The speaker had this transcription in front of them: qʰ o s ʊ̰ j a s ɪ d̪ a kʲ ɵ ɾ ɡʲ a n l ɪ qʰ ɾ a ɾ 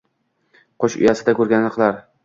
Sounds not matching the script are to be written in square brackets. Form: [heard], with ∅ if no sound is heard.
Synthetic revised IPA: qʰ o [ʃ] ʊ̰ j a s ɪ d̪ a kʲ ɵ ɾ ɡʲ a n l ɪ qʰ [l] a ɾ